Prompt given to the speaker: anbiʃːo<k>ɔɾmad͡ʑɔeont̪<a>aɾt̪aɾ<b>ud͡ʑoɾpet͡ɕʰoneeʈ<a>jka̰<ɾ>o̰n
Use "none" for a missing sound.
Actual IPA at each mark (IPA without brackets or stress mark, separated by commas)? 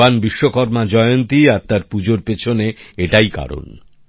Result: k, i, p, a, ɾ